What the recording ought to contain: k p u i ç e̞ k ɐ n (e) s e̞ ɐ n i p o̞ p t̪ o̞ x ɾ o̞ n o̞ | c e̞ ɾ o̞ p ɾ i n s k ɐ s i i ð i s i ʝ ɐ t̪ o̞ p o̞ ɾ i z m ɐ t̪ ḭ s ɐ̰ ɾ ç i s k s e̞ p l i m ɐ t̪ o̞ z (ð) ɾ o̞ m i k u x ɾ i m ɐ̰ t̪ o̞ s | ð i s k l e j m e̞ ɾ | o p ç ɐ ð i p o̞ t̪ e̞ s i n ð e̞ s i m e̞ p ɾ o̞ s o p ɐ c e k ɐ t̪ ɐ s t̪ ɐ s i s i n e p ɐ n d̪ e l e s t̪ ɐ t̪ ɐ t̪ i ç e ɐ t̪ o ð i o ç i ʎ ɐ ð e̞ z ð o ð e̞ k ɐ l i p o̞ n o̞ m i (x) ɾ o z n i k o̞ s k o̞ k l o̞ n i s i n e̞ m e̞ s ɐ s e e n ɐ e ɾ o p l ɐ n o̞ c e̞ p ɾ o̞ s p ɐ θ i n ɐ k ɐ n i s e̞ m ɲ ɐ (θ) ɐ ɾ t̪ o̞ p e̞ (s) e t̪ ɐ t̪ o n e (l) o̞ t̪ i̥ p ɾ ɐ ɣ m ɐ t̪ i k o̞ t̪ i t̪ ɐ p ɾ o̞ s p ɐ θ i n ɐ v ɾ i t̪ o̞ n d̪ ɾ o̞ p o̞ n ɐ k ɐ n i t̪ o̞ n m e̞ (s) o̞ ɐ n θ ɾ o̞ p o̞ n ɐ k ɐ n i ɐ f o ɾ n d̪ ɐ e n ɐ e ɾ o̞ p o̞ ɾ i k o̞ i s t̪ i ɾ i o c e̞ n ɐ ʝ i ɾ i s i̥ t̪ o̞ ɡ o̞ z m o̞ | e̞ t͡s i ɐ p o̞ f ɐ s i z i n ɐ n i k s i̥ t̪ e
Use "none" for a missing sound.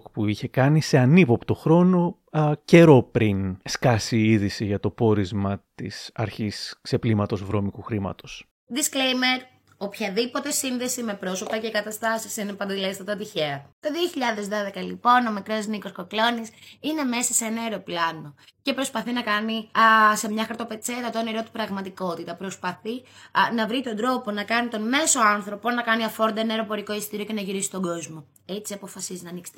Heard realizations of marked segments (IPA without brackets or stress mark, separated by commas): i, v, k, x, t͡s, ɾ, s